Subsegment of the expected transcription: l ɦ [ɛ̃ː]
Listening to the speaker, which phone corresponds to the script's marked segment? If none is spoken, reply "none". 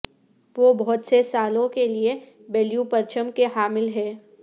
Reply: ɛː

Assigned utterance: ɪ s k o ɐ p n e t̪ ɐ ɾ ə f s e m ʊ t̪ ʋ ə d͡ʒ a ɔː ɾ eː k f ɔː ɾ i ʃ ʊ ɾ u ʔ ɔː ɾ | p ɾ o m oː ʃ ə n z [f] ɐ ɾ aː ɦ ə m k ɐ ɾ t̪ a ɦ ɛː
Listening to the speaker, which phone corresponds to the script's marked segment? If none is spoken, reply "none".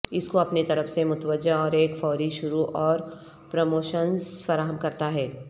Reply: f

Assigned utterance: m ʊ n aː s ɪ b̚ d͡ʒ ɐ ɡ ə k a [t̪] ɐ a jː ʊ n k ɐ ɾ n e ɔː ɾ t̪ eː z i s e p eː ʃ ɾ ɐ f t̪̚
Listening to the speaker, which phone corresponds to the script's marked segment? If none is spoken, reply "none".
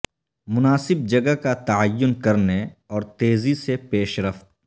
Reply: t̪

